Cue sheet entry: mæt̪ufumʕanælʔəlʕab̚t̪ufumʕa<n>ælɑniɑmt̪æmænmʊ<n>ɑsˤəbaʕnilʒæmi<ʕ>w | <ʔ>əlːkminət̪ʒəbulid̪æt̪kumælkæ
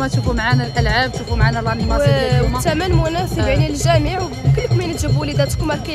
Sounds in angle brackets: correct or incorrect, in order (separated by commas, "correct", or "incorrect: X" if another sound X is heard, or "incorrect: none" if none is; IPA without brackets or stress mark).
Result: correct, correct, correct, incorrect: k